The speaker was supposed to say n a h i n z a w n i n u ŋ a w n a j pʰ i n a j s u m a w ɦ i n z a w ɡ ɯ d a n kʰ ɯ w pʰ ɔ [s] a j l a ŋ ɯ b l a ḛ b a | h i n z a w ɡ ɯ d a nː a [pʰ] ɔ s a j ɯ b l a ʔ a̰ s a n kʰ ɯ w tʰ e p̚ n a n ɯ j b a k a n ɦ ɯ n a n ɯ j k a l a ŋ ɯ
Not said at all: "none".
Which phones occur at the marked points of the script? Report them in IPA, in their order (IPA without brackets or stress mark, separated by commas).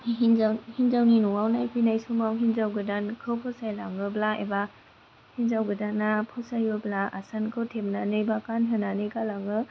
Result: s, pʰ